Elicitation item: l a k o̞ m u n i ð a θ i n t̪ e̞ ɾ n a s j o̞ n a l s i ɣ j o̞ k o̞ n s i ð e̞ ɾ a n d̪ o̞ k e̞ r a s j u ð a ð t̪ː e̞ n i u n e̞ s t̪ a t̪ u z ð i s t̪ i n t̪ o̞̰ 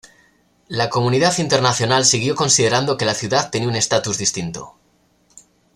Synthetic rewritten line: l a k o̞ m u n i ð a θ i n t̪ e̞ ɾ n a θ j o̞ n a l s i ɣ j o̞ k o̞ n s i ð e̞ ɾ a n d̪ o̞ k e̞ l a θ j u ð a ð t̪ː e̞ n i u n e̞ s t̪ a t̪ u z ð i s t̪ i n t̪ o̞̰